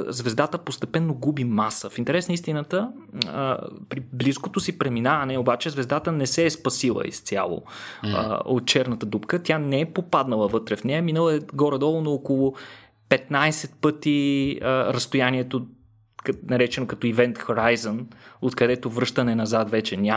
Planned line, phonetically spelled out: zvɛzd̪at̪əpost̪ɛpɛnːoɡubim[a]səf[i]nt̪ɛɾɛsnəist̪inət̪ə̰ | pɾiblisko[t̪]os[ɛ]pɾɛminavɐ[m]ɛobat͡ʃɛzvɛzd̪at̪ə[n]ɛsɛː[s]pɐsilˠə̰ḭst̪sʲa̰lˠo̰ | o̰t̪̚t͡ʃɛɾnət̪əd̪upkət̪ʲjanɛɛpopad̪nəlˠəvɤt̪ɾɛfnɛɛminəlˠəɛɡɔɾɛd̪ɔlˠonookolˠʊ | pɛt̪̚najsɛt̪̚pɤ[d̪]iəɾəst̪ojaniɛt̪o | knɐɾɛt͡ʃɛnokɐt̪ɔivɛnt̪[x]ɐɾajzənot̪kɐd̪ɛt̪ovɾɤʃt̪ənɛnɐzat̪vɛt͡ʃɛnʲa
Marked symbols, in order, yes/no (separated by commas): yes, yes, yes, no, no, yes, yes, no, yes